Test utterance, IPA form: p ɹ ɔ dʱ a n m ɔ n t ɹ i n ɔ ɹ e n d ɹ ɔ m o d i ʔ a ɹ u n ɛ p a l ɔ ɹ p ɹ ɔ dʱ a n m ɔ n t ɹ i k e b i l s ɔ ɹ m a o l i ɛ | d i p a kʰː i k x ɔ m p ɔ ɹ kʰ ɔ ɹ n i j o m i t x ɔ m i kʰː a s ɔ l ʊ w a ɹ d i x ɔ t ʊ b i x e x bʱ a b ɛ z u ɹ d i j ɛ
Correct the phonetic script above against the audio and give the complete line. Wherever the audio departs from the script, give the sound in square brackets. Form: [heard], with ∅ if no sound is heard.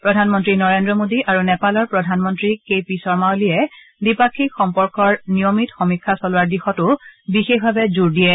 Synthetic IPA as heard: p ɹ ɔ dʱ a n m ɔ n t ɹ i n ɔ ɹ e n d ɹ ɔ m o d i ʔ a ɹ u n ɛ p a l ɔ ɹ p ɹ ɔ dʱ a n m ɔ n t ɹ i k e [p] i [∅] s ɔ ɹ m a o l i ɛ | d i p a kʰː i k x ɔ m p ɔ ɹ [k] ɔ ɹ n i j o m i t x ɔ m i kʰː a s ɔ l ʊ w a ɹ d i x ɔ t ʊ b i x e x bʱ a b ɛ z u ɹ d i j ɛ